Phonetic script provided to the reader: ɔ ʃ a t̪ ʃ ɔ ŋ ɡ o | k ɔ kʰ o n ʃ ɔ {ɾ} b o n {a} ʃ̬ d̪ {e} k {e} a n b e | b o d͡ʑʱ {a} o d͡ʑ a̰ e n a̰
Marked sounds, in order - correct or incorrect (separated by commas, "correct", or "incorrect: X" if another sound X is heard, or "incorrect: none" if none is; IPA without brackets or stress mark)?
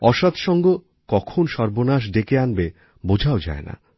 correct, correct, correct, correct, correct